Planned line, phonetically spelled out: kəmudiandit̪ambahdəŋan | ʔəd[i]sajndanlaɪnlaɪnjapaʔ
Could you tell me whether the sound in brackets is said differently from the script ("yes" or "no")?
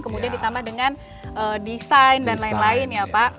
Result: no